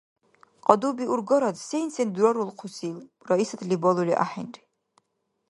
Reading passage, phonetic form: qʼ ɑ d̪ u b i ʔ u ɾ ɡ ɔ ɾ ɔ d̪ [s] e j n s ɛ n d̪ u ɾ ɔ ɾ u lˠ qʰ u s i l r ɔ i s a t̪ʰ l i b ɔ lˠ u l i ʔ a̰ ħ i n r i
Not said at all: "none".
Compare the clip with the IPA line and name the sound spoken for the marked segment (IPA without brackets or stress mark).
s